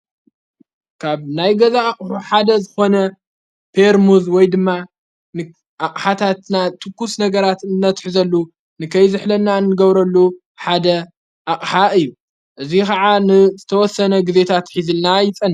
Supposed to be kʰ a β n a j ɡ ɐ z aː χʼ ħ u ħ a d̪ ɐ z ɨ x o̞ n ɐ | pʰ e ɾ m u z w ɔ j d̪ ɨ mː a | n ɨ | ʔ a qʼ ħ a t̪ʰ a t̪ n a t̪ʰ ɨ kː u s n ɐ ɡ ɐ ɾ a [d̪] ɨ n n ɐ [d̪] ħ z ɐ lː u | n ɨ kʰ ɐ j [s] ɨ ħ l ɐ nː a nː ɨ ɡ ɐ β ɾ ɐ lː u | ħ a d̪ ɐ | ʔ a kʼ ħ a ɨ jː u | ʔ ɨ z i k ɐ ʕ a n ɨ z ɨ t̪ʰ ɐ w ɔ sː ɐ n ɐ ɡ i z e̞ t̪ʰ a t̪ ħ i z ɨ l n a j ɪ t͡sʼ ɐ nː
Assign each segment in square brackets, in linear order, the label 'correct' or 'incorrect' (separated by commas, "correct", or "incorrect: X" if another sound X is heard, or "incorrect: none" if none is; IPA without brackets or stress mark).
incorrect: t̪, incorrect: t̪, incorrect: z